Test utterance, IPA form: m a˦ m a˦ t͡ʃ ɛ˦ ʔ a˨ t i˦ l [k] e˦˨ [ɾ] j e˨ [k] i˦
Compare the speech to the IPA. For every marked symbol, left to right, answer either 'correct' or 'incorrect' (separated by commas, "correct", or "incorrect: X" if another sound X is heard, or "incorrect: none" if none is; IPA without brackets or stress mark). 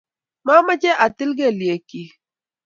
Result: incorrect: ɡ, incorrect: l, correct